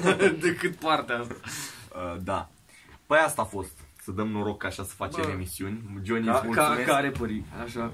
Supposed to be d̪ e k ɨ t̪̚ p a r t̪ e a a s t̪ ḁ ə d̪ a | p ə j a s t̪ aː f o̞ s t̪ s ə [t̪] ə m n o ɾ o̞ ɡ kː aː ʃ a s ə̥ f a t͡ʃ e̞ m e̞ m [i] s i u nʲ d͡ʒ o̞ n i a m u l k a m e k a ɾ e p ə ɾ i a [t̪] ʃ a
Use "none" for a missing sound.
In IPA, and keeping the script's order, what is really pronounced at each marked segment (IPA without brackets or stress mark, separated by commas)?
d̪, i, none